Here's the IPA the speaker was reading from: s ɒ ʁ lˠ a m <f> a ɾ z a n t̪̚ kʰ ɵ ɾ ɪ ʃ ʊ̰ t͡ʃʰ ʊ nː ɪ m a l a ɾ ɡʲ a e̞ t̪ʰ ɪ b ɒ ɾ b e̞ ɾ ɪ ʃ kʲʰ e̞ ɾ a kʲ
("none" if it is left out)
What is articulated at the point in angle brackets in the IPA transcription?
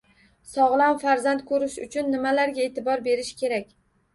f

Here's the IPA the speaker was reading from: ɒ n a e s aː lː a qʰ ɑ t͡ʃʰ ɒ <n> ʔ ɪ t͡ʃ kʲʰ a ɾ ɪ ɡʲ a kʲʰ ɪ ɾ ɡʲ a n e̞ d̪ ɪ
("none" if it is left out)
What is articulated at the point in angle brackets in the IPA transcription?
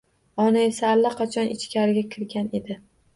n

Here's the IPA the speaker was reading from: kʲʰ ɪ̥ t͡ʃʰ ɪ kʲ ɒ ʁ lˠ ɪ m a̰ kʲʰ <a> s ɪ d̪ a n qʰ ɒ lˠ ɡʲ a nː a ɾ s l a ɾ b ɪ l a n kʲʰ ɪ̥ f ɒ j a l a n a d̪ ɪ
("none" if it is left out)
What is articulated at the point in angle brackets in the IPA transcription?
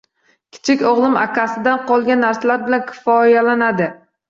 a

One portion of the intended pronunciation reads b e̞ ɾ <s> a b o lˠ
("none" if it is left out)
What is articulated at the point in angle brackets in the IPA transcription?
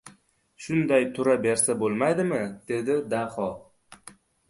s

